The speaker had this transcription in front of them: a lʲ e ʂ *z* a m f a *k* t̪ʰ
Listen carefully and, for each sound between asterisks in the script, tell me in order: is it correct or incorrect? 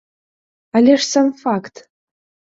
incorrect, correct

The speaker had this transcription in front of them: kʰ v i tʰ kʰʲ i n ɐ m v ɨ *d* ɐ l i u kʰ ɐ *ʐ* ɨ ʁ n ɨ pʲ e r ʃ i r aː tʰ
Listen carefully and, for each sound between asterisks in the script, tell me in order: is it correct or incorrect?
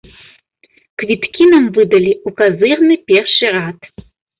correct, incorrect

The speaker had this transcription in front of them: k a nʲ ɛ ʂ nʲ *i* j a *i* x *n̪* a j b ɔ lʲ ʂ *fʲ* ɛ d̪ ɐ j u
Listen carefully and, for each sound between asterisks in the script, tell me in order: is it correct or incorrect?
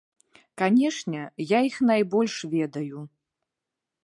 incorrect, correct, correct, incorrect

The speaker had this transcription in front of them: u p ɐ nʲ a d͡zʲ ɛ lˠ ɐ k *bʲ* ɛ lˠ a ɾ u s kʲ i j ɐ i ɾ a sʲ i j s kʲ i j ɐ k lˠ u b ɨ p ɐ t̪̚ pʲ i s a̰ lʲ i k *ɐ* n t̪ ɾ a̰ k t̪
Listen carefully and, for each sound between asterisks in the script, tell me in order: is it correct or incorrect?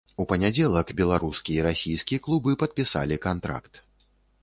correct, incorrect

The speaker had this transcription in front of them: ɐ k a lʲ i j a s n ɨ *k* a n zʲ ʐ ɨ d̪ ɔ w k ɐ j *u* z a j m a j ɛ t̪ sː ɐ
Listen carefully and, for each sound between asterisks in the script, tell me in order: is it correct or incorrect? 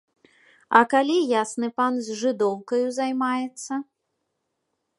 incorrect, correct

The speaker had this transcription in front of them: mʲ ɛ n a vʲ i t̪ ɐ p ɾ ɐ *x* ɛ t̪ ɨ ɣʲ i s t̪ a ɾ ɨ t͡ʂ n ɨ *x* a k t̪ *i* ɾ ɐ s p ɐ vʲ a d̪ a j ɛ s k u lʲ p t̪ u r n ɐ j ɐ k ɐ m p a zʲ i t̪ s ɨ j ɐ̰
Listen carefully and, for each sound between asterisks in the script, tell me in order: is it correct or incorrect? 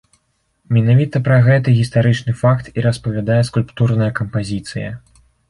incorrect, incorrect, correct

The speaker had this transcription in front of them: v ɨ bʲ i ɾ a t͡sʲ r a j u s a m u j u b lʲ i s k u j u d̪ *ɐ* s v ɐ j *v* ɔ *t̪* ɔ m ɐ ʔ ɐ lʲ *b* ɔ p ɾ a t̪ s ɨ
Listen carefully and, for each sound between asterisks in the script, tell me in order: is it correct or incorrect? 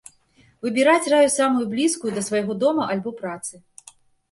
correct, incorrect, incorrect, correct

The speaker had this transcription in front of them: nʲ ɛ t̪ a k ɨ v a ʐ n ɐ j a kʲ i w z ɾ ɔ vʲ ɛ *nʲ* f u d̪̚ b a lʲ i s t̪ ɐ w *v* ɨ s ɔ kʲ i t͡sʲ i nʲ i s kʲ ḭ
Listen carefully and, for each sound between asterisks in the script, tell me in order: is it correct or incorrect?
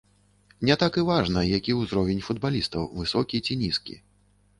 correct, correct

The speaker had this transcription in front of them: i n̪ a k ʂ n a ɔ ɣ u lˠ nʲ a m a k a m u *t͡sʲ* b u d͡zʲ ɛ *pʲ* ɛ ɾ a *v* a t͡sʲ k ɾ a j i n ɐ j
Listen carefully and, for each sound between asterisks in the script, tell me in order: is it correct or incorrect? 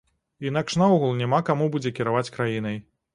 incorrect, incorrect, correct

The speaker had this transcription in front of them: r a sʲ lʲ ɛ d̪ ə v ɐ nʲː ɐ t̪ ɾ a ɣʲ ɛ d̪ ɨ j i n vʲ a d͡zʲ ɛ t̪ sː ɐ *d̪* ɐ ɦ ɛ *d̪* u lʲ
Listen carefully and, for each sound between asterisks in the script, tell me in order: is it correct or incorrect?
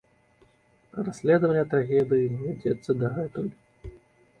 correct, incorrect

